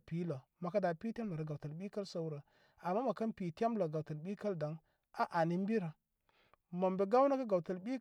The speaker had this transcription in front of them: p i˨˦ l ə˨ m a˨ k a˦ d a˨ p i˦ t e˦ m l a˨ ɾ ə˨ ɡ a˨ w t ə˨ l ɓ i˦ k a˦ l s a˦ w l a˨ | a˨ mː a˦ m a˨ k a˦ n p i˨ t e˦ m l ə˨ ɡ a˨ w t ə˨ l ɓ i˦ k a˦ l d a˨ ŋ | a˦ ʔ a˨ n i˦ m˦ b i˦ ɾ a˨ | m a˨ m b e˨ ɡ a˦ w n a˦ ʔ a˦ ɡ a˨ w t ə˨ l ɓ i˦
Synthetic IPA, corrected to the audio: p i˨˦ l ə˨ m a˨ k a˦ d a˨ p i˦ t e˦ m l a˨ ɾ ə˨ ɡ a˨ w t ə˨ l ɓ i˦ k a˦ l s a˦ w ɾ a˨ | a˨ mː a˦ m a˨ k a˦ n p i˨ t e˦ m l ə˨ ɡ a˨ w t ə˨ l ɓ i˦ k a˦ l d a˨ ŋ | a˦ ʔ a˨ n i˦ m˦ b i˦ ɾ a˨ | m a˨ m b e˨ ɡ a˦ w n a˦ k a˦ ɡ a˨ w t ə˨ l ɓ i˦